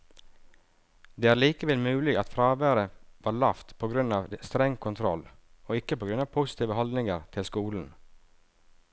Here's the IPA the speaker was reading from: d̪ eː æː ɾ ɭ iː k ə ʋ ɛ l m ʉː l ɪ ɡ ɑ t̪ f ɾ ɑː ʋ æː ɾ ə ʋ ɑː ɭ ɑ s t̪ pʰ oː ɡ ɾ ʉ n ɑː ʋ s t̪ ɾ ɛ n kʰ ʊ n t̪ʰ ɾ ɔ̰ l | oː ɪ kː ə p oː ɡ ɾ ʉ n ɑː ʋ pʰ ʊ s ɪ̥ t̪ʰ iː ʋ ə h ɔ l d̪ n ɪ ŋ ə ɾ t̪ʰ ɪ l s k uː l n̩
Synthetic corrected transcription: d̪ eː æː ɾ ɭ iː k ə ʋ ɛ l m ʉː l ɪ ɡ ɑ t̪ f ɾ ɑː ʋ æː ɾ ə ʋ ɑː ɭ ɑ f t̪ pʰ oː ɡ ɾ ʉ n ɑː ʋ s t̪ ɾ ɛ ŋ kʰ ʊ n t̪ʰ ɾ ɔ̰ l | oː ɪ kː ə p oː ɡ ɾ ʉ n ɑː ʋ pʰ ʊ s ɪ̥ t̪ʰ iː ʋ ə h ɔ l d̪ n ɪ ŋ ə ɾ t̪ʰ ɪ l s k uː l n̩